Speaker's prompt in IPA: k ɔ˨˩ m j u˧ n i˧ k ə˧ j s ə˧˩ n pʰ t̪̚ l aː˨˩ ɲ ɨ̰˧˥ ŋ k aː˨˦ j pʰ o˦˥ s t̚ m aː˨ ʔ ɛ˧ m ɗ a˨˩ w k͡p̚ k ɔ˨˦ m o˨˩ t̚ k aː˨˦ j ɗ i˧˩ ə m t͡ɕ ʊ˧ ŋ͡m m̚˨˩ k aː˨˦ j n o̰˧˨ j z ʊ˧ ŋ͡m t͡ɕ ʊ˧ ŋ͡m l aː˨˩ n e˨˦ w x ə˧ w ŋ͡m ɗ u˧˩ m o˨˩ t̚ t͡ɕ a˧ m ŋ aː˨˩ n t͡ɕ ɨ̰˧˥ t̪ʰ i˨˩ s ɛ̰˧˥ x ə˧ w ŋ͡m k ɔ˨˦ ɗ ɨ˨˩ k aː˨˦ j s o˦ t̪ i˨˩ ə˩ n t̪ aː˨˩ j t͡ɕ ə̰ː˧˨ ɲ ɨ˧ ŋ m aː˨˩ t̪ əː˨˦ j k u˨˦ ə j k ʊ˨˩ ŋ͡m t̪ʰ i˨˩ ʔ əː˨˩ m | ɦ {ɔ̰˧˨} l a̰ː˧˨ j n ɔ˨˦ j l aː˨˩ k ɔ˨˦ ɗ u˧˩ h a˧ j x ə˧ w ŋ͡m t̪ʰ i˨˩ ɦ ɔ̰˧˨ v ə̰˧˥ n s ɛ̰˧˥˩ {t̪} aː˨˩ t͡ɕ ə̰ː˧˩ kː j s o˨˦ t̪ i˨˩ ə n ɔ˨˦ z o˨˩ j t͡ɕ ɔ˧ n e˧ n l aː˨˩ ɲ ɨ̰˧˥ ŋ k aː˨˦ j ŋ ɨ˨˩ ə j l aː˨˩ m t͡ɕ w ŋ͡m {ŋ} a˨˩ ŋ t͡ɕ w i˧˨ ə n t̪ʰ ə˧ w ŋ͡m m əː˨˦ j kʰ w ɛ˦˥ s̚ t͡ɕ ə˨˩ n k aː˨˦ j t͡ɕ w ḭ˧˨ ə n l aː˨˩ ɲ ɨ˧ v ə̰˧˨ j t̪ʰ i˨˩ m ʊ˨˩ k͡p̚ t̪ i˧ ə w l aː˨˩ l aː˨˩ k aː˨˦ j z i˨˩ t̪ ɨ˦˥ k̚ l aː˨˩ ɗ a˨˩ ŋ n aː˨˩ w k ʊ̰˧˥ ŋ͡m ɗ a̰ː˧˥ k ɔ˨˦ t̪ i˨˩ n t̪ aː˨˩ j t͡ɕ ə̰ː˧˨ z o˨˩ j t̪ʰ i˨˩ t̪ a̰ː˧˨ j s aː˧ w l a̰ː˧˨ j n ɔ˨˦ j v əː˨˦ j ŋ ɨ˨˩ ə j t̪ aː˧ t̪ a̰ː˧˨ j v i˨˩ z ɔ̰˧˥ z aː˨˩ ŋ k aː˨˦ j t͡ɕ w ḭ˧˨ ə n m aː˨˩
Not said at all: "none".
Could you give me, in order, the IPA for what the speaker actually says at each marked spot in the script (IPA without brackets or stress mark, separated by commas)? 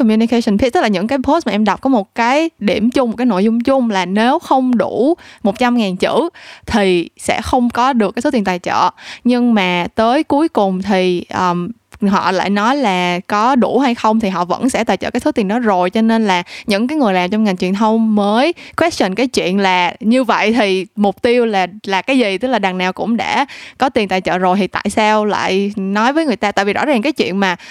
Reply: ɔ̰˧˨, t̪, ŋ